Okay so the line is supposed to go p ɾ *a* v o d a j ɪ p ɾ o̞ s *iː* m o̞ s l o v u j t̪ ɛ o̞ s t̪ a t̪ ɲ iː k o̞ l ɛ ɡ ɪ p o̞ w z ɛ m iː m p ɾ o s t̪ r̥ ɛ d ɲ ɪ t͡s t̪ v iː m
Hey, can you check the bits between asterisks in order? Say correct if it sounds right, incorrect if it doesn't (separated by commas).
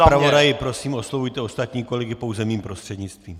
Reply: correct, correct